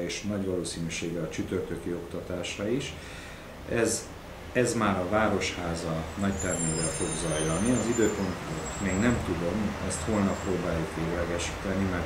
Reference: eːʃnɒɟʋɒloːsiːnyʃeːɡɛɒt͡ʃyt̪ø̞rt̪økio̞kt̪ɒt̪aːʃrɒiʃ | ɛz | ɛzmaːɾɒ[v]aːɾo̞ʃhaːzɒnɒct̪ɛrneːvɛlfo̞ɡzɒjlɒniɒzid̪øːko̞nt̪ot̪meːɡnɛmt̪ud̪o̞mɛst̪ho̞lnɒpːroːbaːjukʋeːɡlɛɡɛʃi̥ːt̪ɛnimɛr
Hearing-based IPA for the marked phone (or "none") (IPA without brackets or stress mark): v